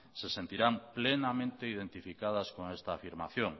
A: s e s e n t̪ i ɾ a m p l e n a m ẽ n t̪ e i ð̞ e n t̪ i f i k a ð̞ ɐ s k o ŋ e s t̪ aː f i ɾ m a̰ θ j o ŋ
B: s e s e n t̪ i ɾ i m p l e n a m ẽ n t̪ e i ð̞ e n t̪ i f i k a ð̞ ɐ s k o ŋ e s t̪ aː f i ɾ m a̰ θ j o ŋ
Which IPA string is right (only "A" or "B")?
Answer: A